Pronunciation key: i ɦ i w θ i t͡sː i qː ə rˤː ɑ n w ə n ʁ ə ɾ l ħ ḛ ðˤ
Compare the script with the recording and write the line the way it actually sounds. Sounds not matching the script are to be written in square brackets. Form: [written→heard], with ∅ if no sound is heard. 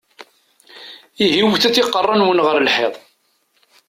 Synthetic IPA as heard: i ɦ i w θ [i→æ] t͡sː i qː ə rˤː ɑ n w ə n ʁ ə ɾ l ħ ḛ ðˤ